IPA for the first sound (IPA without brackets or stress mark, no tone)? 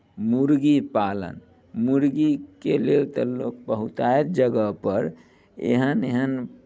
m